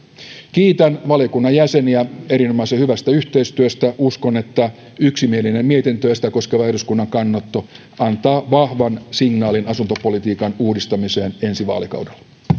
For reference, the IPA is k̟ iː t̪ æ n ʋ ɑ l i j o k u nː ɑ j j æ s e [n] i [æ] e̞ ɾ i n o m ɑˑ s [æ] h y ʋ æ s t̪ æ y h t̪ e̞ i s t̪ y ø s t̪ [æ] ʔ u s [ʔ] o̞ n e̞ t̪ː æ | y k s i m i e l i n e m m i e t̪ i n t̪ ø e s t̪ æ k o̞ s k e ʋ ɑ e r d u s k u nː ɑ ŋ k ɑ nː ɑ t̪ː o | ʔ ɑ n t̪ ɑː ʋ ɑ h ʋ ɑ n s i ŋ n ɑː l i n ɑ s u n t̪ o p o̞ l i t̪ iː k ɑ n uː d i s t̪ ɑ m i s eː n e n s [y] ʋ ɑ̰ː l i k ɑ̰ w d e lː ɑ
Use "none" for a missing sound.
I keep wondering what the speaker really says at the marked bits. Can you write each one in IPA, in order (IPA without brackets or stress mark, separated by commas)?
n, æ, e, æ, k, i